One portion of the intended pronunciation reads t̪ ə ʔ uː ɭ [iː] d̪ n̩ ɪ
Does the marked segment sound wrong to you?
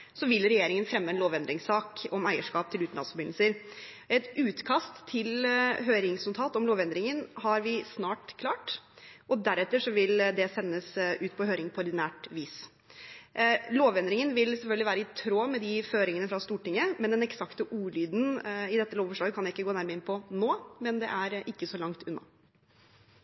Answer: yes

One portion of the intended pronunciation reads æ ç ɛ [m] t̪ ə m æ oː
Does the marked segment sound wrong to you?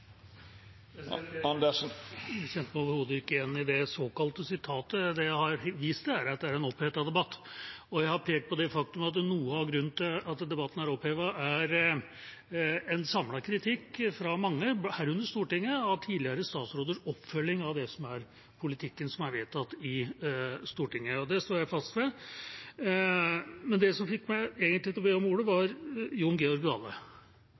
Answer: yes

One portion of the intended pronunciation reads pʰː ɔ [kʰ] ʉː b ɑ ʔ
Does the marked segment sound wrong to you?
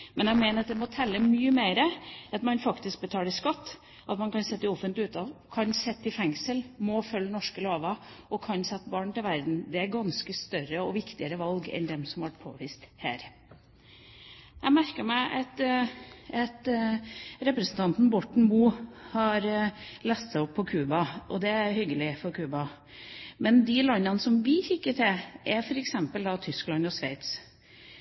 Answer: no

